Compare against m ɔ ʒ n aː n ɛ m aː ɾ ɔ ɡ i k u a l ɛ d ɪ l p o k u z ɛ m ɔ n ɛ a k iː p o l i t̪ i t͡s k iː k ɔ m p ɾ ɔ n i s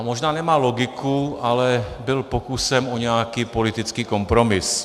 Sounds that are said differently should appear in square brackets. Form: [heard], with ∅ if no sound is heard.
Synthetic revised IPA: m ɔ ʒ n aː n ɛ m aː [l] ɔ ɡ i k u a l ɛ [b] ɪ l p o k u [s] ɛ m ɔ [ɲ] ɛ a k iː p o l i t̪ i t͡s k iː k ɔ m p ɾ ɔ [m] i s